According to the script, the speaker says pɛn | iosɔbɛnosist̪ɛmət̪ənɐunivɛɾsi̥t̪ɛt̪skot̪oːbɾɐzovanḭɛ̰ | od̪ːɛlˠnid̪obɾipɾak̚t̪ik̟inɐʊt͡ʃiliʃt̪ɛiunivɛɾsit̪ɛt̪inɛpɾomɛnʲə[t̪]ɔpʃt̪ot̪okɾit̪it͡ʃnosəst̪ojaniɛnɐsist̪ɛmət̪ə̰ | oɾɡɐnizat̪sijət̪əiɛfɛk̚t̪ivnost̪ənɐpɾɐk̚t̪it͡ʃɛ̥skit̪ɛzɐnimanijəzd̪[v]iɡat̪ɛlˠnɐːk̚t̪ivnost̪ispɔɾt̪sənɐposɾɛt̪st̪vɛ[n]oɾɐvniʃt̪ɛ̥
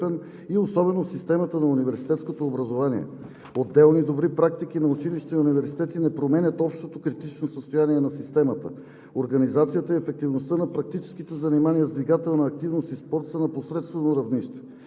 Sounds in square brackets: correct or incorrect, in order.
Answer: correct, correct, correct

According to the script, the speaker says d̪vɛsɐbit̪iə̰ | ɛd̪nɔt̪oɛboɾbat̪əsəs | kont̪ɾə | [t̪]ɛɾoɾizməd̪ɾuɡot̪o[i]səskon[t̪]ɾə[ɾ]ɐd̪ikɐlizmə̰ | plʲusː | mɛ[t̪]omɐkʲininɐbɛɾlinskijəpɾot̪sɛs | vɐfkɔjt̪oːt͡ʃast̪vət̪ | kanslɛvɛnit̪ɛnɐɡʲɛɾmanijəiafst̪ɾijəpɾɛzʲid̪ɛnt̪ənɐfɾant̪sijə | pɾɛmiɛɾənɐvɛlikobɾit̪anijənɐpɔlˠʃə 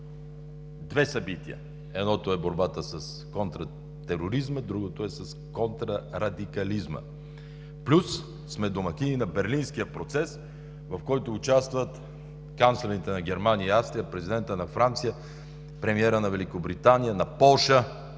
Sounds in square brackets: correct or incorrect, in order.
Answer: correct, incorrect, correct, correct, incorrect

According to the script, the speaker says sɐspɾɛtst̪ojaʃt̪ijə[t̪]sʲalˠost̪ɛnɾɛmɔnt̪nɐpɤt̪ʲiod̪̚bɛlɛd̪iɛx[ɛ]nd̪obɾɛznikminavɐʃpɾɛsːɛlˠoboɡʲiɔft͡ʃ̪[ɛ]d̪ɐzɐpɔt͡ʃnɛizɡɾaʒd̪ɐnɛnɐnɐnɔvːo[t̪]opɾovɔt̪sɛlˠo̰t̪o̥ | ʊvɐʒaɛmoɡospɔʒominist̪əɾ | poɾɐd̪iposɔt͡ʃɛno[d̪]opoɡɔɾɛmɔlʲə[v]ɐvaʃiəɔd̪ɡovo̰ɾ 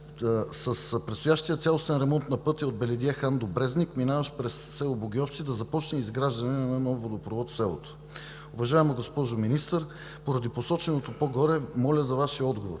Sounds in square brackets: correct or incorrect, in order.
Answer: correct, incorrect, incorrect, incorrect, incorrect, incorrect

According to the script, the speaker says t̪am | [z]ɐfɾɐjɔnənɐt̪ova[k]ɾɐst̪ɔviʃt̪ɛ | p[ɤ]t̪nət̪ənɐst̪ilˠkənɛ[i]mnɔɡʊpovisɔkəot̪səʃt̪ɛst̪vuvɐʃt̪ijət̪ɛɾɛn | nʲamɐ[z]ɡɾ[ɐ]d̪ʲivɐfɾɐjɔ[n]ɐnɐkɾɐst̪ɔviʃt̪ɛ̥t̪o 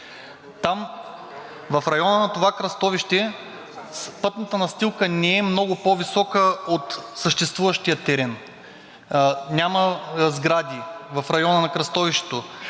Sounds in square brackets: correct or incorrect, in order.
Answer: incorrect, correct, correct, incorrect, correct, incorrect, correct

